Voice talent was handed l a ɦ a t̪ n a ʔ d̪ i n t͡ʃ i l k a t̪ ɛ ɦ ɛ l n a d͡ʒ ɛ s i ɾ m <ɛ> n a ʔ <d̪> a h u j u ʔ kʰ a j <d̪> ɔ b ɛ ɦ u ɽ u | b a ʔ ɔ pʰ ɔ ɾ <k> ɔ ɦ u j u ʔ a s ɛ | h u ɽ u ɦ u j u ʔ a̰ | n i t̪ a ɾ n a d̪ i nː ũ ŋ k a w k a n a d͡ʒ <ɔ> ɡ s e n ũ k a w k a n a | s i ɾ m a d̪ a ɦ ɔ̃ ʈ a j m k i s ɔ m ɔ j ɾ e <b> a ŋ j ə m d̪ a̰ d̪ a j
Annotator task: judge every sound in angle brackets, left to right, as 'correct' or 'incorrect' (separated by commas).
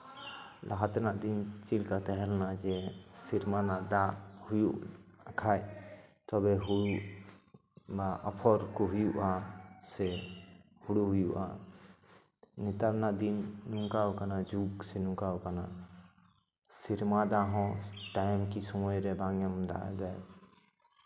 incorrect, correct, incorrect, correct, incorrect, correct